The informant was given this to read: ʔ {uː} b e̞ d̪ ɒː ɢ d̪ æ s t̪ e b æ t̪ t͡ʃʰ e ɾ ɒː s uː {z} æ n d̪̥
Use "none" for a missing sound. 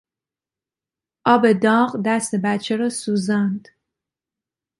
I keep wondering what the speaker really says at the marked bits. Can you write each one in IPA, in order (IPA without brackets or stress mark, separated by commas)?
ɒː, z